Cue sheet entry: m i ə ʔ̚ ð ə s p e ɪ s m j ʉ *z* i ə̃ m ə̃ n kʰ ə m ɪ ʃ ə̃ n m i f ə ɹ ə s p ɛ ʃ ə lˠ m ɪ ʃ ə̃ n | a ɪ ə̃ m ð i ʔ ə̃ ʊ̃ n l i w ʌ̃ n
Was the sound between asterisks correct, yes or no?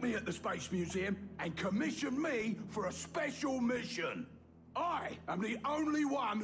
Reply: yes